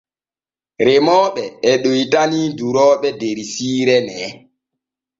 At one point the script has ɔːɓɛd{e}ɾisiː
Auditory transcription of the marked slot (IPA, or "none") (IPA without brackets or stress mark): e